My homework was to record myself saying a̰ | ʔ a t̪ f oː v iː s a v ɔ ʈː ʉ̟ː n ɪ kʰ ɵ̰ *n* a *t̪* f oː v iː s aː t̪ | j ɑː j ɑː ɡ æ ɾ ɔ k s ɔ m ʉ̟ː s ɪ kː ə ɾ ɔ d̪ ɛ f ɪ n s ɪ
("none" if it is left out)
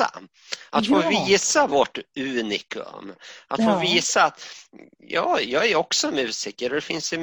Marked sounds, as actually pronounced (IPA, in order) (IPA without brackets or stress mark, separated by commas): m, t̪